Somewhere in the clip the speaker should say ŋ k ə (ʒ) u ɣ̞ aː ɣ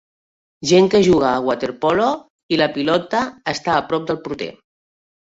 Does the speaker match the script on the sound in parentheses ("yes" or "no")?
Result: yes